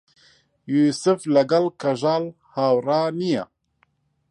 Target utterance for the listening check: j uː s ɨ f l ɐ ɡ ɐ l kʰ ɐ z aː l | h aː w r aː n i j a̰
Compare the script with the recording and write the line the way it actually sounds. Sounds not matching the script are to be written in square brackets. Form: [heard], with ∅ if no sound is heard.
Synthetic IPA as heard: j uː s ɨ f l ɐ ɡ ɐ l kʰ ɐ [ʒ] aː l | h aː w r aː n i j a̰